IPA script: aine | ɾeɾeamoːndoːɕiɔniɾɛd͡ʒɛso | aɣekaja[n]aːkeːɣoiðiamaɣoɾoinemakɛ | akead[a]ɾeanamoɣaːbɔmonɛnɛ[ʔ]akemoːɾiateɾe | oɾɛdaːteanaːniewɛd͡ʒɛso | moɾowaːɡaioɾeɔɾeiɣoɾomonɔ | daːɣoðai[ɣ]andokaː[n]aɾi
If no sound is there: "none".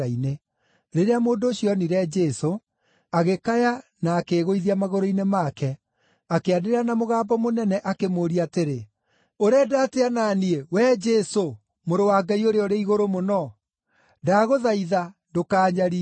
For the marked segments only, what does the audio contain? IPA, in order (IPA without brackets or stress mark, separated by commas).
n, e, ʔ, ð, ɲ